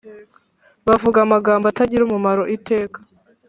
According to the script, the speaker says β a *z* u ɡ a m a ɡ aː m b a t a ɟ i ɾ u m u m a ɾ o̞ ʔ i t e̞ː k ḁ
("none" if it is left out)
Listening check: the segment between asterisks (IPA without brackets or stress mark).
v